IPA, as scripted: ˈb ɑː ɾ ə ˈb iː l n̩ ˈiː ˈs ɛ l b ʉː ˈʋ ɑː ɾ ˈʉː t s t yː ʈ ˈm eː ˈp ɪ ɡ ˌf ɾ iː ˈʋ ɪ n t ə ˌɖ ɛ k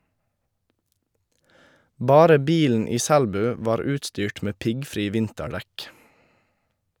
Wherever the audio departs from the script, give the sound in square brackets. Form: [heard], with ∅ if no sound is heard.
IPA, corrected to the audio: ˈb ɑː ɾ ə ˈb iː l n̩ ˈiː ˈs [æ] l b ʉː ˈʋ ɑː ɾ ˈʉː t s t yː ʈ ˈm eː ˈp ɪ ɡ ˌf ɾ iː ˈʋ ɪ n t ə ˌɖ ɛ k

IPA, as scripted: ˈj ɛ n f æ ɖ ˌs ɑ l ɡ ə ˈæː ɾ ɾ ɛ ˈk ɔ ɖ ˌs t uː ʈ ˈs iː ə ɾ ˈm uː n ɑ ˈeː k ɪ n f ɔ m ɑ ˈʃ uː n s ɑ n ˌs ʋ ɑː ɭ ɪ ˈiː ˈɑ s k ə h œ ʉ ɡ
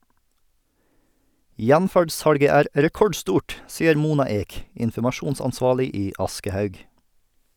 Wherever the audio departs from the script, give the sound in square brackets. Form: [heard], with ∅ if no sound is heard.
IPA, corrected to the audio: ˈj [æ] n f æ ɖ ˌs ɑ [ɽ] ɡ ə ˈæː ɾ ɾ ɛ ˈk ɔ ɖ ˌs t uː ʈ ˈs iː ə ɾ ˈm uː n ɑ ˈeː k ɪ n f ɔ m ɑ ˈʃ uː n s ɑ n ˌs ʋ ɑː ɭ ɪ ˈiː ˈɑ s k ə h œ ʉ ɡ

